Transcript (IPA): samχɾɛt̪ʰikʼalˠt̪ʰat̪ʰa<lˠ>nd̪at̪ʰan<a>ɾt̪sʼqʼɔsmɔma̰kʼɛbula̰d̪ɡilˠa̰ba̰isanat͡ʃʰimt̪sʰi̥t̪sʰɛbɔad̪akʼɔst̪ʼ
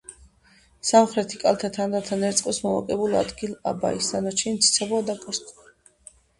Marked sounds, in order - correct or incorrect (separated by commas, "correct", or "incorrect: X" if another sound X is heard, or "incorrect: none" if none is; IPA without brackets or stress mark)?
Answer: incorrect: none, incorrect: ɛ